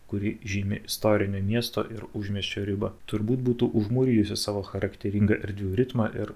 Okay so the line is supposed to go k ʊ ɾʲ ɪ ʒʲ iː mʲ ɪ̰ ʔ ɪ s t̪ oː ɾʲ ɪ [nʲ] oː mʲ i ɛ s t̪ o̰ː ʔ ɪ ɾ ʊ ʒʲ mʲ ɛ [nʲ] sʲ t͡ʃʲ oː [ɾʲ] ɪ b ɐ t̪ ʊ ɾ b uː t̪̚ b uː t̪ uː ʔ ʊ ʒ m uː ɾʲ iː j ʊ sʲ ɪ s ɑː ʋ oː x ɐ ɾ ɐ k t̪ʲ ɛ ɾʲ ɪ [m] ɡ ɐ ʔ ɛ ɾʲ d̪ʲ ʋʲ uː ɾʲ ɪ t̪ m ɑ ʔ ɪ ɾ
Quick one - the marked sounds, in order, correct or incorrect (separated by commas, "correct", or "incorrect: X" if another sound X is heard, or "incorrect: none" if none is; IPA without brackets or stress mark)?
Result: correct, incorrect: none, correct, incorrect: ŋ